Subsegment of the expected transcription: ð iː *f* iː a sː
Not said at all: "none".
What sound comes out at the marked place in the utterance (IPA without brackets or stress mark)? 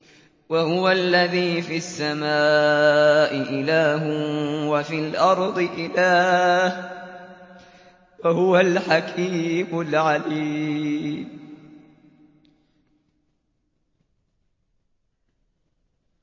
f